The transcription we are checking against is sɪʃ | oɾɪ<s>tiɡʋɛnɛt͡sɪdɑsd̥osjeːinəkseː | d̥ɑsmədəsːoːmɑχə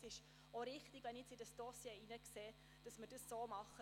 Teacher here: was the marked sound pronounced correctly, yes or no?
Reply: no